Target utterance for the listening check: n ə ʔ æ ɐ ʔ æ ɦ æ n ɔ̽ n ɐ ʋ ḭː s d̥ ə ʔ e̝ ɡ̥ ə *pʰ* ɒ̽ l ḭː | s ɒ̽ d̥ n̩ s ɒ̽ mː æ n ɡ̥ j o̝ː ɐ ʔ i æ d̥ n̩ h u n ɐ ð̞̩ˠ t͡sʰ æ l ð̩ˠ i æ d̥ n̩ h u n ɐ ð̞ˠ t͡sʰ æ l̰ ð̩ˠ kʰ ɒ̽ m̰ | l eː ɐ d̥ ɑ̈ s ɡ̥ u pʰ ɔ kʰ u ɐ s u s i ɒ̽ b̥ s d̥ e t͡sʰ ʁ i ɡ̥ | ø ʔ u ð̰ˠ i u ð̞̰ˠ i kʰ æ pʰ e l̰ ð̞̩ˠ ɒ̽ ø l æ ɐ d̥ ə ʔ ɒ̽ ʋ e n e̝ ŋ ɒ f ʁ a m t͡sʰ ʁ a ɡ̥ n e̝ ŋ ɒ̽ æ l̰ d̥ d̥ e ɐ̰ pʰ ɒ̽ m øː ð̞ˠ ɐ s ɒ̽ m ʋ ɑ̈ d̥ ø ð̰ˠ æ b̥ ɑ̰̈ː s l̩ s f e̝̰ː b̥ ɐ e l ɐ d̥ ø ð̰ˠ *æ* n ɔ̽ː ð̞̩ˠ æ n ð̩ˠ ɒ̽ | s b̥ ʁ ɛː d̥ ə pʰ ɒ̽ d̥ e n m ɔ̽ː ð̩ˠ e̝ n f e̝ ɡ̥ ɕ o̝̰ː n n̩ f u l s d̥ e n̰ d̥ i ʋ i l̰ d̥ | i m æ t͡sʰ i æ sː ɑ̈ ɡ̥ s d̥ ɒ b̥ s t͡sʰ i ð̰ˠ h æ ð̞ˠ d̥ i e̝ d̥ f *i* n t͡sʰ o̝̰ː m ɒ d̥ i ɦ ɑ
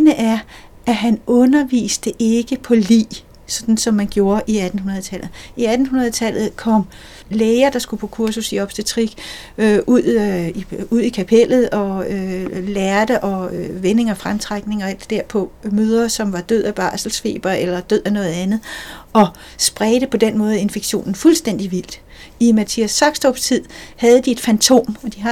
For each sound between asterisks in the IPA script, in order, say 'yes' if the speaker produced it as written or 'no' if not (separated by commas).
yes, yes, no